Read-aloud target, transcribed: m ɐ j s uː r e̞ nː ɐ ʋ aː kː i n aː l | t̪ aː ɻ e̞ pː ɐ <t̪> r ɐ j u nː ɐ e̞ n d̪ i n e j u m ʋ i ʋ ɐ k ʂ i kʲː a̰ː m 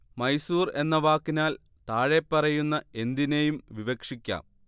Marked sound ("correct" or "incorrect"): incorrect